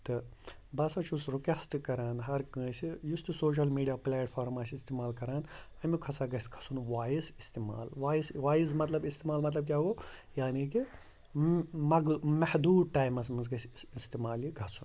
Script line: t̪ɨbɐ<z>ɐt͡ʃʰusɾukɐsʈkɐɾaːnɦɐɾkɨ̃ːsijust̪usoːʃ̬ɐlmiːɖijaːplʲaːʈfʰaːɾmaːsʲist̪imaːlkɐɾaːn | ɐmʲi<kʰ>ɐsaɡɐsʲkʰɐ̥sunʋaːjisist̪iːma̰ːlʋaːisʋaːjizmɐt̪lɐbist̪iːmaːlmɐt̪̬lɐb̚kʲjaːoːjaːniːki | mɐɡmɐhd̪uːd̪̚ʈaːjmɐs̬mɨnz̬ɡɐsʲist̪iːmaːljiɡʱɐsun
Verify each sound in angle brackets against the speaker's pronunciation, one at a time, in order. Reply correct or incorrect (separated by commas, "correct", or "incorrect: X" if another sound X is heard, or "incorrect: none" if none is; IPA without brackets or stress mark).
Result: incorrect: s, correct